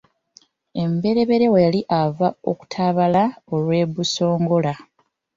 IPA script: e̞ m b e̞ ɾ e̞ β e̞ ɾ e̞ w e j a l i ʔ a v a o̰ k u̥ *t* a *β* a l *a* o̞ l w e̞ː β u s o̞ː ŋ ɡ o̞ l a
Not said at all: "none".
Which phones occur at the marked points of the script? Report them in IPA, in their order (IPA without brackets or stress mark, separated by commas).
tʰ, β, a